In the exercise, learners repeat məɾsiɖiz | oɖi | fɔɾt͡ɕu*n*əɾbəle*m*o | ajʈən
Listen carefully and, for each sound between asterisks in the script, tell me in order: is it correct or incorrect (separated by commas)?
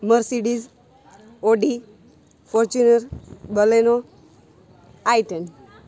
correct, incorrect